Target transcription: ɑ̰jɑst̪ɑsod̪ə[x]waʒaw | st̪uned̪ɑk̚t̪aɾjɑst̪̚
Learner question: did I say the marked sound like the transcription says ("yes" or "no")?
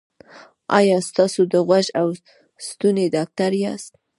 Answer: no